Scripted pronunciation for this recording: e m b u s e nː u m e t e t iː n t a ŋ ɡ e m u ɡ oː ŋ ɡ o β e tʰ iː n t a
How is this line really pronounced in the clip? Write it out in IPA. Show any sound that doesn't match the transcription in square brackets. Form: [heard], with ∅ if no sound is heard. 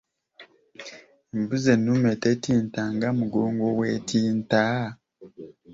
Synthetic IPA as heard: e m b u [z] e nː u m e t e t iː n t a ŋ ɡ [a] m u ɡ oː ŋ ɡ o [w] e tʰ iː n t a